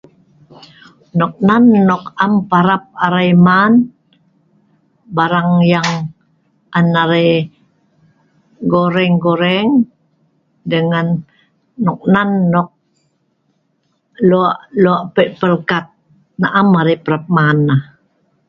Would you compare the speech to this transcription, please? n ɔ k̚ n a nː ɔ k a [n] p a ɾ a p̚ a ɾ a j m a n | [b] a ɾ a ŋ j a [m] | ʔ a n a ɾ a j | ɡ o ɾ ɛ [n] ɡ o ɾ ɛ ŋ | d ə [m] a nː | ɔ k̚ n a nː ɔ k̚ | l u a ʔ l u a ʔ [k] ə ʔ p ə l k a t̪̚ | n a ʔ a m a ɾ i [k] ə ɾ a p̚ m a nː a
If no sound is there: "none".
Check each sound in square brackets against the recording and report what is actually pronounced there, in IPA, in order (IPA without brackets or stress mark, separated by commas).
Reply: m, b, ŋ, ŋ, ŋ, p, p